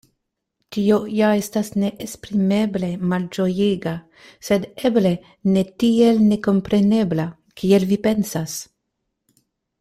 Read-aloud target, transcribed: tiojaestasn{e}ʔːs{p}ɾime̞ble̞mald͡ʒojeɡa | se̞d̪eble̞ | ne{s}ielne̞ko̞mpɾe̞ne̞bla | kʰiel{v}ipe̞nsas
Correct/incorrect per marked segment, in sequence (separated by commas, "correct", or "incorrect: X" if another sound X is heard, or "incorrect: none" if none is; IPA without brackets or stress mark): correct, correct, incorrect: t, correct